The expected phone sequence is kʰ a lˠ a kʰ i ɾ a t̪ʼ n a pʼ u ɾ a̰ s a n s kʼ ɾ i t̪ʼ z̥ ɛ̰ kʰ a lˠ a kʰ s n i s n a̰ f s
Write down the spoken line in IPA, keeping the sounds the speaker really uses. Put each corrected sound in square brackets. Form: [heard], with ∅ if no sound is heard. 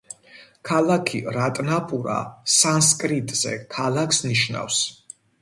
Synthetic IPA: kʰ a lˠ a kʰ i ɾ a t̪ʼ n a pʼ u ɾ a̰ s a n s kʼ ɾ i t̪ʼ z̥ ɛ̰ kʰ a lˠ a kʰ s n i [ʃ] n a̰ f s